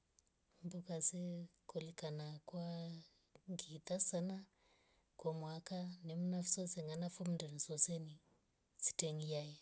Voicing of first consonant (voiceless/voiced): voiced